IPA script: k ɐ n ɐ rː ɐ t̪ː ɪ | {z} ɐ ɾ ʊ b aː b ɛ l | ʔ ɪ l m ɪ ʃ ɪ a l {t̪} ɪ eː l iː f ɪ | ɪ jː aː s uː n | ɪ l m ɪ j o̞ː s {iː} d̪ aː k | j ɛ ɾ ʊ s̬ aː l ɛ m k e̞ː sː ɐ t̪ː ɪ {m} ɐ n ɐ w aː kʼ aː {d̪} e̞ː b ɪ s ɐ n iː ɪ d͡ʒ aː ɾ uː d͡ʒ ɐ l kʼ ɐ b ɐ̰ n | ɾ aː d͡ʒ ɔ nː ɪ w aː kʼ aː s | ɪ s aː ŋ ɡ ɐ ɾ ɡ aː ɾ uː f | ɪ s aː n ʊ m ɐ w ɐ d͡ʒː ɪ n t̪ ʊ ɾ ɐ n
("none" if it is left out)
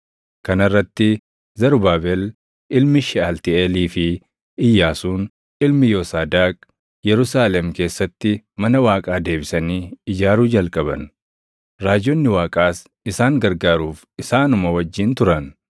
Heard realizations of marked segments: z, t̪, aː, m, d̪

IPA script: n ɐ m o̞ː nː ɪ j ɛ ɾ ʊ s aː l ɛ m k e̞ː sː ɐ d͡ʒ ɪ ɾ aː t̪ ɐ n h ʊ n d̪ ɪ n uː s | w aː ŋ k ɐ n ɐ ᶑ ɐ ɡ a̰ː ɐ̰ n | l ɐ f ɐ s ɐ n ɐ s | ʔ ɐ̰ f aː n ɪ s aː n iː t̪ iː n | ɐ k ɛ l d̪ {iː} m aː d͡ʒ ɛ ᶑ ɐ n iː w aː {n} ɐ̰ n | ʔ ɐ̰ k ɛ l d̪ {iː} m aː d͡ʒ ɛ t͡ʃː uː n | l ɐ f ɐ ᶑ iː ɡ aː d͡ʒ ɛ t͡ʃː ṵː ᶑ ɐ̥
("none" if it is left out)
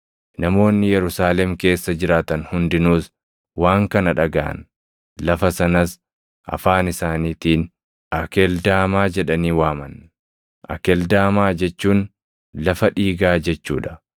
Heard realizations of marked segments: aː, m, aː

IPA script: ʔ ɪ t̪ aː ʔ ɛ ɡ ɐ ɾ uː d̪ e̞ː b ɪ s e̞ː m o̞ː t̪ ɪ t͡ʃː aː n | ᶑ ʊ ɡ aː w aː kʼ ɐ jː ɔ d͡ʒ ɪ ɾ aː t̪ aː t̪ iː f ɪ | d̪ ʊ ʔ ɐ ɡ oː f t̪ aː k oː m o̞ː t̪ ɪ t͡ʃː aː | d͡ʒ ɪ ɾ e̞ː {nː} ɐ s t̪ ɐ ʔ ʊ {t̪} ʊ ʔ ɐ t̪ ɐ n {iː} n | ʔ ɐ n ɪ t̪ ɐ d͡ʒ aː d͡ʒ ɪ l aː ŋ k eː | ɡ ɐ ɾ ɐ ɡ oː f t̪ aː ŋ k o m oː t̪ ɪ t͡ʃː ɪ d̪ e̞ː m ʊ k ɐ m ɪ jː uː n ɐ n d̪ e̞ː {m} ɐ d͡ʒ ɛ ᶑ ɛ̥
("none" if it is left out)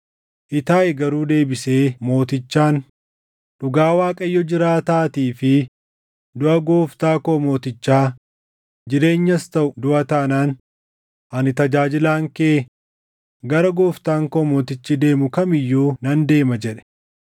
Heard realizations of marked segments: ɲː, d̪, aː, m

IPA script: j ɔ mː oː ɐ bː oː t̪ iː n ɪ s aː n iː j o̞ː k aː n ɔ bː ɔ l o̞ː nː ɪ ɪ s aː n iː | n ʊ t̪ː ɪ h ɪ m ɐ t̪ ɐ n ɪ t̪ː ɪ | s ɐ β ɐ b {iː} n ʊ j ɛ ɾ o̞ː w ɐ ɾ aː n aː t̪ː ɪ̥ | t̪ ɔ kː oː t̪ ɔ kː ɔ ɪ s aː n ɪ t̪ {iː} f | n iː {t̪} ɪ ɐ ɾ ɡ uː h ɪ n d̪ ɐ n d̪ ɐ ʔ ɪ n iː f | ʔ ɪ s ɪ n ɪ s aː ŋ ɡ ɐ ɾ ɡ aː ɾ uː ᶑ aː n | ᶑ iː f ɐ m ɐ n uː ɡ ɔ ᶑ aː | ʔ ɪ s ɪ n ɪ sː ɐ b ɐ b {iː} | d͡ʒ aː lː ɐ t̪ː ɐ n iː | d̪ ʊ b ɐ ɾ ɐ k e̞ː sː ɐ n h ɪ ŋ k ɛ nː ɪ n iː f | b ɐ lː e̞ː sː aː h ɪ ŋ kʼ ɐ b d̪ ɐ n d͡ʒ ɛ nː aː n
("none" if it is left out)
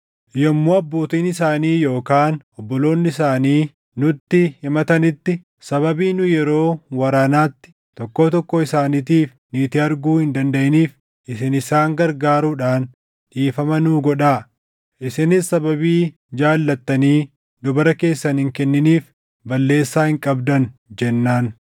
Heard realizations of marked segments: iː, iː, t̪, iː

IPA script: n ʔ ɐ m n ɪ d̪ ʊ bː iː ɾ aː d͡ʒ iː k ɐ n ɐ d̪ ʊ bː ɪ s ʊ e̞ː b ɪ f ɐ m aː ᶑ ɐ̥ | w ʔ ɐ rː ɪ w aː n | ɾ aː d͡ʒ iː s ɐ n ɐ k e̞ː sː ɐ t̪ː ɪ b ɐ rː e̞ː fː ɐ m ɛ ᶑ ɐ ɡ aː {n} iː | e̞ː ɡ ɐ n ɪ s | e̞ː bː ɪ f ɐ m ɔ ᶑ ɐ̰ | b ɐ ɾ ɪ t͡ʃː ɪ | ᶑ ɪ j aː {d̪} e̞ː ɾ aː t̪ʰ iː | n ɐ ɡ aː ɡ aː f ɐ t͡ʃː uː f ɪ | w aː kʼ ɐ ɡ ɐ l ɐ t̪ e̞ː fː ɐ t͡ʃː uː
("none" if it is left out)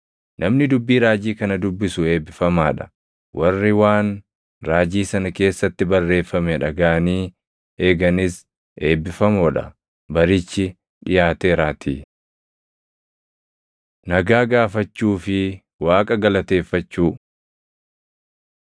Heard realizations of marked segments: n, t̪

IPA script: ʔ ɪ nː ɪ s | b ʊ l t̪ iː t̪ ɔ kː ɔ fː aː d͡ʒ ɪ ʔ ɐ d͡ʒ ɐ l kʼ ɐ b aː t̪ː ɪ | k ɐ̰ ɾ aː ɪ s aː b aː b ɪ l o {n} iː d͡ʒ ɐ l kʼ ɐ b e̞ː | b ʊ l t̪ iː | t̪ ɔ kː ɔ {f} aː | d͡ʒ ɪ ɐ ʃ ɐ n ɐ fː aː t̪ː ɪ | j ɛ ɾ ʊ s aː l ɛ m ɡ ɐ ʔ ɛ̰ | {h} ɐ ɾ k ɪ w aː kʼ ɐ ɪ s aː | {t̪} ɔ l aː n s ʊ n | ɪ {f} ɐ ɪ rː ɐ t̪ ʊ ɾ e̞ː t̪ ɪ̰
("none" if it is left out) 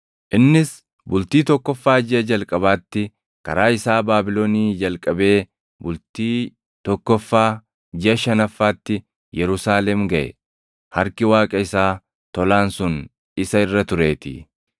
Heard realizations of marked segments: n, fː, h, t̪, s

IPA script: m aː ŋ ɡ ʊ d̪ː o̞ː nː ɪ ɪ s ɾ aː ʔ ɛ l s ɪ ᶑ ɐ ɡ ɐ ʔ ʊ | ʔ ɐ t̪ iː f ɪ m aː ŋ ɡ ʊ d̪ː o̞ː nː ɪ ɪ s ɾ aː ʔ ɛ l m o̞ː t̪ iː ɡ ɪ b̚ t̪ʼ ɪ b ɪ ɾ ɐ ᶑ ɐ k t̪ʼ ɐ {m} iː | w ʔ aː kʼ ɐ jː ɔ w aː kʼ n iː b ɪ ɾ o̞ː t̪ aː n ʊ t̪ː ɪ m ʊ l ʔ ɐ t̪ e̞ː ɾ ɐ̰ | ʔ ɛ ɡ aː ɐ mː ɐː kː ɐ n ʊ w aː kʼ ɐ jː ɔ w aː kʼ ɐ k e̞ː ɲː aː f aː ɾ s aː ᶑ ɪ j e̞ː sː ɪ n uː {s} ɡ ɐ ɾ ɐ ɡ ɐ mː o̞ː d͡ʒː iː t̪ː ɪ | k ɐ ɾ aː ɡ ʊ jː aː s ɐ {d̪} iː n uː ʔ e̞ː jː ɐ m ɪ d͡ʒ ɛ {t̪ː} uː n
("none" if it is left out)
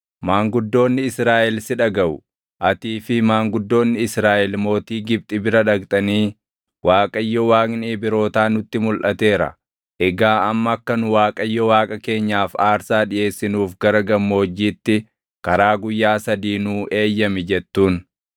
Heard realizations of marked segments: n, f, d̪, t̪ː

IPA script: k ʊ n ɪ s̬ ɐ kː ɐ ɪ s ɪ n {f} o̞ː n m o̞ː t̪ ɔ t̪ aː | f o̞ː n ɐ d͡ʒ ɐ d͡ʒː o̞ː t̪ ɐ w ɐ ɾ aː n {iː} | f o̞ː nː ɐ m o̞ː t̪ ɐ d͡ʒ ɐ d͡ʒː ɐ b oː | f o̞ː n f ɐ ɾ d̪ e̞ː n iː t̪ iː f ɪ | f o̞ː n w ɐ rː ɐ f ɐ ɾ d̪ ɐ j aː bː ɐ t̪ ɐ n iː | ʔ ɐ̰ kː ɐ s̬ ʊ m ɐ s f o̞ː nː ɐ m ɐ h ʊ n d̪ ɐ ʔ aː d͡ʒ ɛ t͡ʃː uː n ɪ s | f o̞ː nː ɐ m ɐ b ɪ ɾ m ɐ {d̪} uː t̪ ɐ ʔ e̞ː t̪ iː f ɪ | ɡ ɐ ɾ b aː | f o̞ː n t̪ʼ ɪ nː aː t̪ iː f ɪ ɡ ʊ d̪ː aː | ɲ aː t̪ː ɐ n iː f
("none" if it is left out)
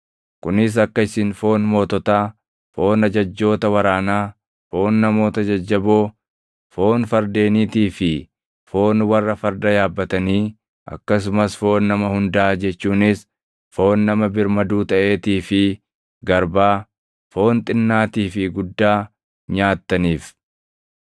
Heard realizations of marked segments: f, aː, d̪

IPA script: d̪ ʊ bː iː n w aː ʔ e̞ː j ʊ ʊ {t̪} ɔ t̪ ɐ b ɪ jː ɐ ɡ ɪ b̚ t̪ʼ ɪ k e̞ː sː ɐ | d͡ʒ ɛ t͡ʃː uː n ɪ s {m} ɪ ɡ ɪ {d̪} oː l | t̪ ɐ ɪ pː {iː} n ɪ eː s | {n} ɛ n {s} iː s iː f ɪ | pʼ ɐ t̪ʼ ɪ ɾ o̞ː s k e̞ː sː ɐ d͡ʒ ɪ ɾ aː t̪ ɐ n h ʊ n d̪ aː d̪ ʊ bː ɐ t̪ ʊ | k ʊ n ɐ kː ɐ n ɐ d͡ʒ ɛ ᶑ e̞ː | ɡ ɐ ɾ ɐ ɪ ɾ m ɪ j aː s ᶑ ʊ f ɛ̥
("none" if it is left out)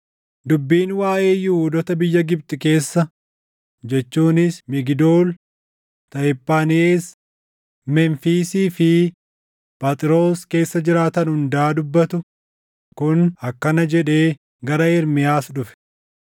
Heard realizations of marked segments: d̪, m, d̪, aː, m, f

